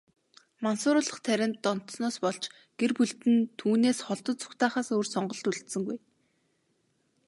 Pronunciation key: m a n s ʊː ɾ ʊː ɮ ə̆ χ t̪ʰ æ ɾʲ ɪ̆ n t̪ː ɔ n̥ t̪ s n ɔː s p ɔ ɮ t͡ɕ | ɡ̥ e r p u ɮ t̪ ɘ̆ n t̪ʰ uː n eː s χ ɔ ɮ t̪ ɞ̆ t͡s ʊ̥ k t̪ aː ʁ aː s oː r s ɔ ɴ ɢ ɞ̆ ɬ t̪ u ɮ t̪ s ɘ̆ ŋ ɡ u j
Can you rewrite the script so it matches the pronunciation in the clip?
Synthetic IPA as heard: m a n s ʊː ɾ ʊː ɮ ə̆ χ t̪ʰ æ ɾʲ ɪ̆ n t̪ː ɔ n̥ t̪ s n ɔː s p ɔ ɮ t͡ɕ | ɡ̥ e r p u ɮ t̪ ɘ̆ n t̪ʰ uː n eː s χ ɔ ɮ t̪ ɞ̆ t͡s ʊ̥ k t̪ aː χ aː s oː r s ɔ ɴ ɢ ɞ̆ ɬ t̪ u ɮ t̪ s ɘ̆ ŋ ɡ u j